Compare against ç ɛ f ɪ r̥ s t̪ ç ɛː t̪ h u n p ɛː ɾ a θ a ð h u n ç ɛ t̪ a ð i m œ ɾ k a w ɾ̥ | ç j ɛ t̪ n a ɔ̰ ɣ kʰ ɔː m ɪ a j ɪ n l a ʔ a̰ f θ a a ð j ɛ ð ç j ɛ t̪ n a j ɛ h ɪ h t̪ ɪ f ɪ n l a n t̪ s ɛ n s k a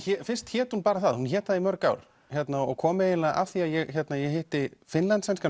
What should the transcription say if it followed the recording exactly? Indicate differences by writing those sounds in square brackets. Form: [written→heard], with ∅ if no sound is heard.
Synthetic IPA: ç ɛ f ɪ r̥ s t̪ ç ɛː t̪ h u n p [ɛː→aː] ɾ a θ a ð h u n ç [ɛ→ɛː] t̪ a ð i m œ ɾ k a w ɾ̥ | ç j ɛ t̪ n a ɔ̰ ɣ kʰ ɔː m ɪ [a→e] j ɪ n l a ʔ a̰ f θ [a→i] a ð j ɛ [ð→ɣ] ç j ɛ t̪ n a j ɛ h ɪ h t̪ ɪ f ɪ n l a n t̪ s ɛ n s k a